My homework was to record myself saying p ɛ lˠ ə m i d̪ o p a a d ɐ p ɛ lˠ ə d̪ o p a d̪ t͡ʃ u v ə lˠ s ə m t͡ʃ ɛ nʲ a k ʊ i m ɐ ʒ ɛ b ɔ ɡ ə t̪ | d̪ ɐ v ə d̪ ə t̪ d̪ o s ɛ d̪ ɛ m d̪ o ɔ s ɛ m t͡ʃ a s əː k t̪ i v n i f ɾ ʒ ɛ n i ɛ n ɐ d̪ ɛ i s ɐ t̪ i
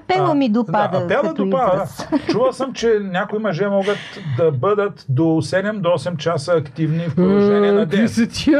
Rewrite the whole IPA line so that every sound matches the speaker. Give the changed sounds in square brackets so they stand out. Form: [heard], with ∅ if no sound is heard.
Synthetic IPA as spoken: p ɛ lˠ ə m i d̪ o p a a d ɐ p ɛ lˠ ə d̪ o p a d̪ t͡ʃ u v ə lˠ s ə m t͡ʃ ɛ nʲ a k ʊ i m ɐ ʒ ɛ [m] ɔ ɡ ə t̪ | d̪ ɐ [b] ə d̪ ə t̪ d̪ o s ɛ d̪ ɛ m d̪ o ɔ s ɛ m t͡ʃ a s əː k t̪ i v n i f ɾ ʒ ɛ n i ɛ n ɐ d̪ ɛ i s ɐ t̪ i